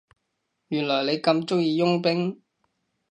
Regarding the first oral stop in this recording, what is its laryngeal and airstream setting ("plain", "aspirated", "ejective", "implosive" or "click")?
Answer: plain